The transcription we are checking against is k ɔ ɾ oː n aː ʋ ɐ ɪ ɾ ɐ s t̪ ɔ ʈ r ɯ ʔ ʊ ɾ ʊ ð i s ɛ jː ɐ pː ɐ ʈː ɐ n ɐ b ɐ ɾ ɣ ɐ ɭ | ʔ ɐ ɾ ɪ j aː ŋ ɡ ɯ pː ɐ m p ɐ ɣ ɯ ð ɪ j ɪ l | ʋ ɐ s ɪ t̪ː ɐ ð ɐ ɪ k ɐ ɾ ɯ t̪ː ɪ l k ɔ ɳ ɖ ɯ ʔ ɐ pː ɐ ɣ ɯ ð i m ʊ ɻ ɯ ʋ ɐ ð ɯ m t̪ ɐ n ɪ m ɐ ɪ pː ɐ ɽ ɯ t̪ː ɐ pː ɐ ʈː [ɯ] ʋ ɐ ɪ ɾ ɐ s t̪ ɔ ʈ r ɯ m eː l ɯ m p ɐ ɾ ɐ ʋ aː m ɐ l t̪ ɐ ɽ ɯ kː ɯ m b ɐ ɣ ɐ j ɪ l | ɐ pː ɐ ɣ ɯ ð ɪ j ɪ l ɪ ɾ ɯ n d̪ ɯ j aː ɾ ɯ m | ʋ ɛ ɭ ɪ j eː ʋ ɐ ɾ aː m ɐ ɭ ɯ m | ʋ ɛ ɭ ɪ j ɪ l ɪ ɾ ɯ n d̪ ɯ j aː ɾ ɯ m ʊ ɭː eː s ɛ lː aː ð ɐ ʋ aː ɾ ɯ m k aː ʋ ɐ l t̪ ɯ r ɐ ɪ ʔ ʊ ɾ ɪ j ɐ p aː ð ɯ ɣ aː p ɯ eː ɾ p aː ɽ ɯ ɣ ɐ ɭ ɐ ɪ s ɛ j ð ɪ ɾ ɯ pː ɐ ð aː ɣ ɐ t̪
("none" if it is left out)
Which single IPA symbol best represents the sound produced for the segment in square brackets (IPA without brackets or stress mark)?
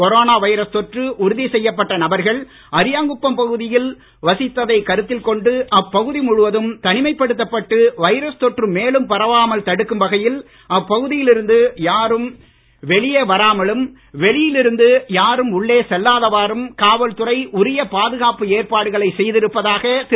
ɯ